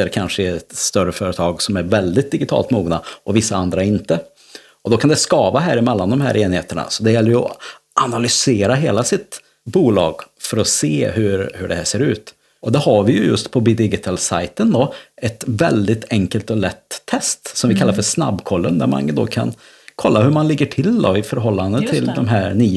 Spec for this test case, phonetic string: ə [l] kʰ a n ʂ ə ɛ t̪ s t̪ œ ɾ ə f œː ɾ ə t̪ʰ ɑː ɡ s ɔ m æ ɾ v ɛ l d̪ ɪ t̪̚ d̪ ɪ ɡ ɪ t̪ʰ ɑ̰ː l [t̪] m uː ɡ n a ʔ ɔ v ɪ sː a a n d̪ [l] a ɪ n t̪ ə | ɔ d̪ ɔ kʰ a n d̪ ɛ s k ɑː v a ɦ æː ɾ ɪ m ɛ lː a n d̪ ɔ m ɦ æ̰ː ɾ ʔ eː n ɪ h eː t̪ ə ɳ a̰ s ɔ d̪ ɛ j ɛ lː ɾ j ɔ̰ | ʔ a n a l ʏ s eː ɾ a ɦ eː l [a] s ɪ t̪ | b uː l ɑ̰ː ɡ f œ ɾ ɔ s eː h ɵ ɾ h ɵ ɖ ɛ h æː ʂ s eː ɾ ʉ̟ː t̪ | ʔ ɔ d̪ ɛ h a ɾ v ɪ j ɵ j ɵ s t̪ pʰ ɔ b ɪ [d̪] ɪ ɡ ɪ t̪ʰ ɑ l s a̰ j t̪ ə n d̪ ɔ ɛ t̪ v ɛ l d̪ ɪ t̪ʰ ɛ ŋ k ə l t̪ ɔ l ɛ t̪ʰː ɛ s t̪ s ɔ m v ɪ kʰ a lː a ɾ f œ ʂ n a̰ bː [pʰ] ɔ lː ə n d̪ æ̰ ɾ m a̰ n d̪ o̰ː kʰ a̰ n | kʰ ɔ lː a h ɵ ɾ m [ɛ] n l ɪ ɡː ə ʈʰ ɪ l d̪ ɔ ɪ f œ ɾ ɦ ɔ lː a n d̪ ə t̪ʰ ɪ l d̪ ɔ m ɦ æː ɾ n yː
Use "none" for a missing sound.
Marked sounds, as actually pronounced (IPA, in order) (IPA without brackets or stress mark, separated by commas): ɾ, t̪, ɾ, a, d̪, kʰ, a